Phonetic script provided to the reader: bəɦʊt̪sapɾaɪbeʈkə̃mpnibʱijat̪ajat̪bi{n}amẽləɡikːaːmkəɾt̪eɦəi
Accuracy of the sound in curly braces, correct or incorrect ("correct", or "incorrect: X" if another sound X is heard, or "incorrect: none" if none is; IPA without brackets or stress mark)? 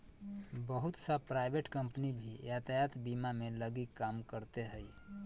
incorrect: m